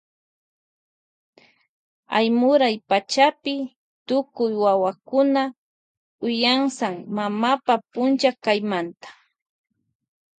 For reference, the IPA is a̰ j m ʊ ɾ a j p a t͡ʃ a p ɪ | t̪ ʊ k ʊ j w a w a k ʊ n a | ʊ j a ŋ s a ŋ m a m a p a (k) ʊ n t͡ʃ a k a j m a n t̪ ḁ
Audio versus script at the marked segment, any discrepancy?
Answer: yes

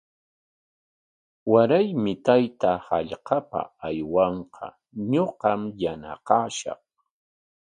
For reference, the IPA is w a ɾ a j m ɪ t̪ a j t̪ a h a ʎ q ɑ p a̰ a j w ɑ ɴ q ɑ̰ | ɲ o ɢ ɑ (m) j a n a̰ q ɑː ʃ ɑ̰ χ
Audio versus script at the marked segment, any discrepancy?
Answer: no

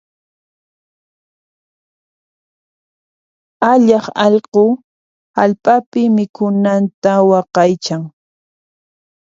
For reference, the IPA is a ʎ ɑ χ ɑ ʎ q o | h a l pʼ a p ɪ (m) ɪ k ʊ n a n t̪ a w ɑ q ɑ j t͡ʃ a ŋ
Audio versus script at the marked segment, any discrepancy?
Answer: no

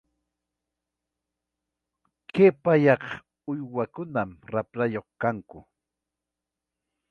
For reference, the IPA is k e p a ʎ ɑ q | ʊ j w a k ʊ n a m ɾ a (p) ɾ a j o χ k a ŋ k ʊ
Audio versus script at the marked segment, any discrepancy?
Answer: no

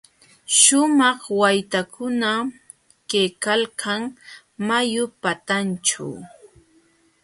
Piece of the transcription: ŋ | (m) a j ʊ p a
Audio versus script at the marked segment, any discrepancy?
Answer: no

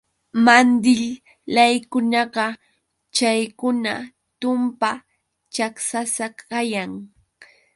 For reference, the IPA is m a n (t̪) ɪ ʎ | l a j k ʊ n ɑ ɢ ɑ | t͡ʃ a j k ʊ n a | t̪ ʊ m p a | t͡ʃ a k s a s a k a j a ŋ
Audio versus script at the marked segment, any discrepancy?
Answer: yes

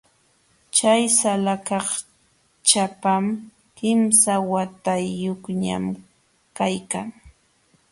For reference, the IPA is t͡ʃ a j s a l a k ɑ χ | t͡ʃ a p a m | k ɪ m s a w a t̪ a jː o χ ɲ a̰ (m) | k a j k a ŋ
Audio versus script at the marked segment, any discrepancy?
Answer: no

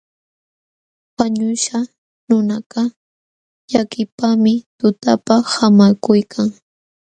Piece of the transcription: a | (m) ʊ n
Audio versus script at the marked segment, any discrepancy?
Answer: yes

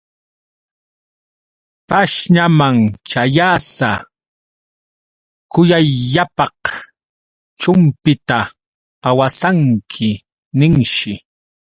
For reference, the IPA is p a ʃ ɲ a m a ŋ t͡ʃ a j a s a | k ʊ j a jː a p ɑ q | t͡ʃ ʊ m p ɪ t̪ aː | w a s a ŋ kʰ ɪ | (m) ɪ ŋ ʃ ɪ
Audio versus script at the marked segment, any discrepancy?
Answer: yes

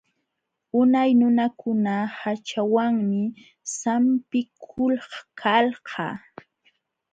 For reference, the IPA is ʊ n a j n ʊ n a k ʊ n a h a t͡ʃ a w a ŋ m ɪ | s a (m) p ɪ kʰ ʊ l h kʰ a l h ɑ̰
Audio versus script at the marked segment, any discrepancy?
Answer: no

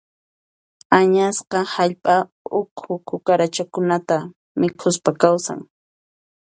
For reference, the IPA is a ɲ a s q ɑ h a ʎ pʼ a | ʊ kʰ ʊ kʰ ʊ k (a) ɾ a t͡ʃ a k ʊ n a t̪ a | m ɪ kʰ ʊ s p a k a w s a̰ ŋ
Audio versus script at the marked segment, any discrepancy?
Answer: no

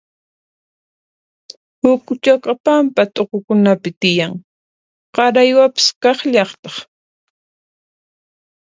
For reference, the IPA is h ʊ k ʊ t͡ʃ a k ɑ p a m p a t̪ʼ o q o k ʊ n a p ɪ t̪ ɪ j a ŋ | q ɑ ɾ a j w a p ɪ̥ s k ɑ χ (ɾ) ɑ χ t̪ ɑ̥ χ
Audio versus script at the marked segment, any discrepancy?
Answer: yes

